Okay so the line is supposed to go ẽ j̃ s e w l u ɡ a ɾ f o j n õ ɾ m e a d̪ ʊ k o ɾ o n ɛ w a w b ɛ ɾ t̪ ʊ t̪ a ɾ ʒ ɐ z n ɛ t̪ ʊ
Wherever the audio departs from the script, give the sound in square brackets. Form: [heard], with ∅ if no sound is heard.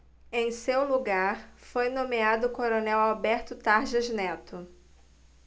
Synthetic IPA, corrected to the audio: ẽ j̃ s e w l u ɡ a ɾ f o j n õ [∅] m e a d̪ ʊ k o ɾ o n ɛ w a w b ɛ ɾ t̪ ʊ t̪ a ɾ ʒ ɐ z n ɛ t̪ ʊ